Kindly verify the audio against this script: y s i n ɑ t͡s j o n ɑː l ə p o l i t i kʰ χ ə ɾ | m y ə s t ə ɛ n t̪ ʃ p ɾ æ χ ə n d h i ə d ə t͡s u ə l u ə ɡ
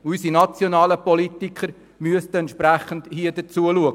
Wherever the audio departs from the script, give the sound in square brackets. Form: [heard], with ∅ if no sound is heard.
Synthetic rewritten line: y s i n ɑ t͡s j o n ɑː l ə p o l i t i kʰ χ ə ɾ | m y ə s t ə ɛ n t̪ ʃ p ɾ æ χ ə n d h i ə d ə t͡s u ə l u ə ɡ